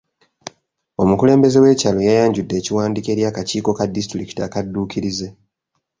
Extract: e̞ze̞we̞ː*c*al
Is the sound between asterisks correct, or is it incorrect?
correct